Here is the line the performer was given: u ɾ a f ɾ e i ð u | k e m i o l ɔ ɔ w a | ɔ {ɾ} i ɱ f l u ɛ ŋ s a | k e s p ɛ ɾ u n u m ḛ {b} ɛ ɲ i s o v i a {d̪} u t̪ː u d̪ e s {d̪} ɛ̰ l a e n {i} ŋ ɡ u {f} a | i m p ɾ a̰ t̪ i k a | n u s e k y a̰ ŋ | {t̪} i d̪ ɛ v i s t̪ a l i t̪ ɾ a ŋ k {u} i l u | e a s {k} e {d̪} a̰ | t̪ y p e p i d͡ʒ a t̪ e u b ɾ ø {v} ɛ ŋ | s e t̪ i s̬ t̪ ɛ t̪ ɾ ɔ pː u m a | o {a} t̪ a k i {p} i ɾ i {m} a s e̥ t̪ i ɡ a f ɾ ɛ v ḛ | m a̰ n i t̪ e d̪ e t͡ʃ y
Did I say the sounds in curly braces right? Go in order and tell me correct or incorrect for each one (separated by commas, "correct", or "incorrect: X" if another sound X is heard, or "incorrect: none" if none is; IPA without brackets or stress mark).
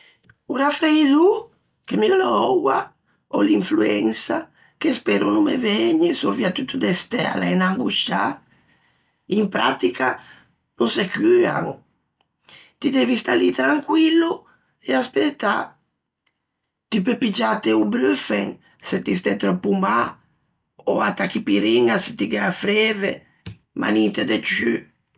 incorrect: l, incorrect: v, incorrect: t̪, incorrect: t̪, incorrect: a, incorrect: ʃ, correct, incorrect: w, incorrect: p, incorrect: t̪, incorrect: f, correct, correct, incorrect: ŋ